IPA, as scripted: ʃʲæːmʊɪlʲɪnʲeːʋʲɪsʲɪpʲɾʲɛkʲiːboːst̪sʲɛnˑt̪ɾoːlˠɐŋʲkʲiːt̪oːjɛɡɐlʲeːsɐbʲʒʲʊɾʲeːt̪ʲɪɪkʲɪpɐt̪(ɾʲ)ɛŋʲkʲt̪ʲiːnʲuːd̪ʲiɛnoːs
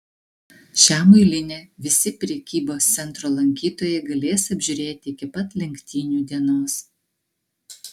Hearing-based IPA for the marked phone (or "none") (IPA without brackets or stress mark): lʲ